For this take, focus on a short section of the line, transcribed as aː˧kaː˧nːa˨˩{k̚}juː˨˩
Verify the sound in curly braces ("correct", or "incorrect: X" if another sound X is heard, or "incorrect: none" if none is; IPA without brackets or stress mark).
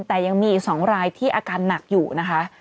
correct